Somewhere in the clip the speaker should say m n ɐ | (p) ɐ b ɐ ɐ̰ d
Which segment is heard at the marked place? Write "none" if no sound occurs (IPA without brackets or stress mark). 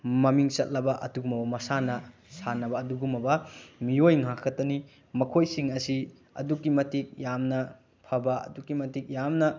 pʰ